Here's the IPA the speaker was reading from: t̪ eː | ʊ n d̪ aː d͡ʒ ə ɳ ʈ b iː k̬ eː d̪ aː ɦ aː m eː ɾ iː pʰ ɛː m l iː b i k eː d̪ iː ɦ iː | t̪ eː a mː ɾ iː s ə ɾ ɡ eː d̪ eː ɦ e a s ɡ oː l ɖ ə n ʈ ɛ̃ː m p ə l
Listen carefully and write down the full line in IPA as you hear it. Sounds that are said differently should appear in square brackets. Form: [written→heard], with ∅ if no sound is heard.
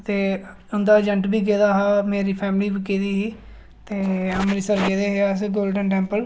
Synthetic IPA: t̪ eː | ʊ n d̪ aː d͡ʒ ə ɳ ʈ b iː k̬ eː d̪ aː ɦ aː m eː ɾ iː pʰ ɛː m l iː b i k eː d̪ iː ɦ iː | t̪ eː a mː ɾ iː s ə ɾ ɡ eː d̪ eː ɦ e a s ɡ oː l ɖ ə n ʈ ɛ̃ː m p ə l